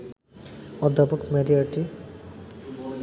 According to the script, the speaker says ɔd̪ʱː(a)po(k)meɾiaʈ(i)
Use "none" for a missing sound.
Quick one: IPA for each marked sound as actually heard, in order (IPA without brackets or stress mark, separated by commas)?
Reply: a, k, i